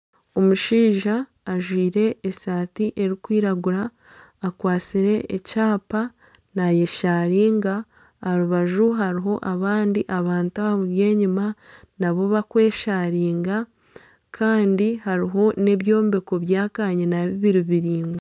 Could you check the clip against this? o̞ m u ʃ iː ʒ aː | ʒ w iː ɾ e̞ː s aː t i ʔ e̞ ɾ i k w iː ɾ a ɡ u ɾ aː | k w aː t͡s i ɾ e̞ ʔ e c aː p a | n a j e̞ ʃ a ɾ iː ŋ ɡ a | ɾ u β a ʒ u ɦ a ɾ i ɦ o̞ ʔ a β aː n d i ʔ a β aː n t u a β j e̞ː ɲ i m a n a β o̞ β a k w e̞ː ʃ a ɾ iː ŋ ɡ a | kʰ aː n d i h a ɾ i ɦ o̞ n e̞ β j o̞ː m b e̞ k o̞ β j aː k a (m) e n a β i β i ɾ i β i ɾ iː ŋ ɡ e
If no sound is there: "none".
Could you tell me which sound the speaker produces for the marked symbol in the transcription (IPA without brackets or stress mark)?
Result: ɲ